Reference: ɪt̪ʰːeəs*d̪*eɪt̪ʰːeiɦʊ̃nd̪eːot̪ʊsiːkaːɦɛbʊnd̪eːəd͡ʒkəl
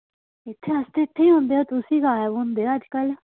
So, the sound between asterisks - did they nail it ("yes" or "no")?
no